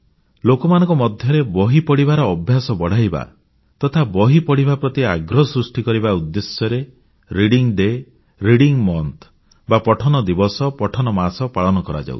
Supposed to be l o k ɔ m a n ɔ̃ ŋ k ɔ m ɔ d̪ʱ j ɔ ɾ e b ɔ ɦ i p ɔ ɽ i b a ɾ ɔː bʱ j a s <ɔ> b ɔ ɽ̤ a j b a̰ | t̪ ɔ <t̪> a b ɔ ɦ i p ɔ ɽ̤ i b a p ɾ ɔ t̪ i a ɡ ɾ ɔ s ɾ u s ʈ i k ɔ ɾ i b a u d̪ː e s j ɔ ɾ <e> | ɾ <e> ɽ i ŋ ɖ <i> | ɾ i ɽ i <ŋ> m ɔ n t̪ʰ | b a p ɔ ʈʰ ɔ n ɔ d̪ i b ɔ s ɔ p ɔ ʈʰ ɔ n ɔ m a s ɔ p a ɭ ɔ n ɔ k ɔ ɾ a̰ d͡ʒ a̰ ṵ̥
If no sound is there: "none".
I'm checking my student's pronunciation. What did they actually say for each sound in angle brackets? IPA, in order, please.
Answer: ɔ, t̪ʰ, e, i, e, ŋ

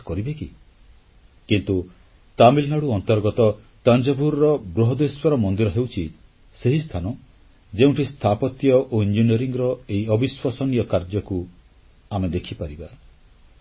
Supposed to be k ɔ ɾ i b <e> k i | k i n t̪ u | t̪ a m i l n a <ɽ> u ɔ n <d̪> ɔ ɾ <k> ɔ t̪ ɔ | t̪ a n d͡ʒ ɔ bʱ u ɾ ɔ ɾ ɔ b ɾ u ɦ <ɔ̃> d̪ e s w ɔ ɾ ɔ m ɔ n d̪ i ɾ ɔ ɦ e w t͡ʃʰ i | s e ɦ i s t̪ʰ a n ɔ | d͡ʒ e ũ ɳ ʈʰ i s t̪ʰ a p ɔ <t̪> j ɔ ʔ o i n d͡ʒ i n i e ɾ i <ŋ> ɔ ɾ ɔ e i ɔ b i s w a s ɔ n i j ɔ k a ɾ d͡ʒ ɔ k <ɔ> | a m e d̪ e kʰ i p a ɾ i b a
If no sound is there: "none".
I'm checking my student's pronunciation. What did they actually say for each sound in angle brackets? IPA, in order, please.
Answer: e, ɽ, t̪, ɡ, ɔ, t̪, ŋ, u

